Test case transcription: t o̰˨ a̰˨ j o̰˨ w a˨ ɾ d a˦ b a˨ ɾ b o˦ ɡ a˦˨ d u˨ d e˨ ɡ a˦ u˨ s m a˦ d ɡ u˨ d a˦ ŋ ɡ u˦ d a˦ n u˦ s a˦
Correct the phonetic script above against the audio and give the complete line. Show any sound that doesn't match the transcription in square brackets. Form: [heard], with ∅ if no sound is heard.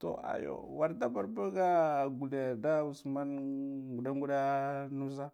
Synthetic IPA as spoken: t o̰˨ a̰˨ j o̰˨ w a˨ ɾ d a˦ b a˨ ɾ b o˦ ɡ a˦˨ [ɡ] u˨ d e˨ [d] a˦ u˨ s m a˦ [n] ɡ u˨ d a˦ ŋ ɡ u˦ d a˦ n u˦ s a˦